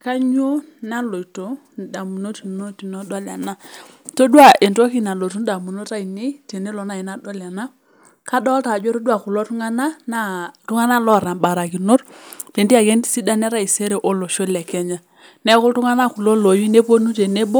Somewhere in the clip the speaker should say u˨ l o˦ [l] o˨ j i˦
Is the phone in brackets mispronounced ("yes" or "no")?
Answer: no